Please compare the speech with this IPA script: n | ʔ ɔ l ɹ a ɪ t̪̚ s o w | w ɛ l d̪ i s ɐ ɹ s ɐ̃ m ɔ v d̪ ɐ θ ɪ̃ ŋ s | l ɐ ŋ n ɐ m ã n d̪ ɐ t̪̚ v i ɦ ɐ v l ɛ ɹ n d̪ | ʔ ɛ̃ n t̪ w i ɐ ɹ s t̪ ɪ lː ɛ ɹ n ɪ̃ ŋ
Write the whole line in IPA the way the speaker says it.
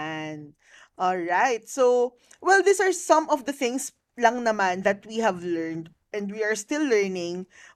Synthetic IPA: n | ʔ ɔ l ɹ a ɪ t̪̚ s o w | w ɛ l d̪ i s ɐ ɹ s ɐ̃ m ɔ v d̪ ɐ θ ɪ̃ ŋ s | l ɐ ŋ n ɐ m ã n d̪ ɐ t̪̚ w i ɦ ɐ v l ɛ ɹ n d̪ | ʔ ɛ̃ n d̪ w i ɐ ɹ s t̪ ɪ lː ɛ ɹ n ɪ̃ ŋ